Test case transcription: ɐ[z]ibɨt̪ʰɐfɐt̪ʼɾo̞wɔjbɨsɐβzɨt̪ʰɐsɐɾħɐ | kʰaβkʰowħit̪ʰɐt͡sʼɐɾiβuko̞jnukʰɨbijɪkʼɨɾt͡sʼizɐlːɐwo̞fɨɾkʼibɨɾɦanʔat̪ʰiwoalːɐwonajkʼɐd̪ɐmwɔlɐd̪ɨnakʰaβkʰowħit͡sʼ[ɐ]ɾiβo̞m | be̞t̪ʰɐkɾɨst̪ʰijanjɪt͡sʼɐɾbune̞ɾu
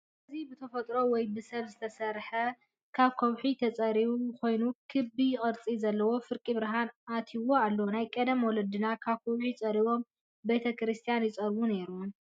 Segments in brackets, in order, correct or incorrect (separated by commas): correct, correct